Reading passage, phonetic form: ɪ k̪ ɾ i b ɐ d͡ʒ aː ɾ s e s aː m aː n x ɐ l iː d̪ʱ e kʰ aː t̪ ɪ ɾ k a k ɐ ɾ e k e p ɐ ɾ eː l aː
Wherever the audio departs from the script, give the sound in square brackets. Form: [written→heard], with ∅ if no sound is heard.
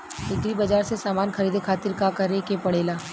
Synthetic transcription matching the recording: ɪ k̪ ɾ i b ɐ d͡ʒ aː ɾ s e s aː m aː n x ɐ [l→ɾ] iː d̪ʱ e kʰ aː t̪ ɪ ɾ k a k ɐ ɾ e k e p ɐ [ɾ→ɽ] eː l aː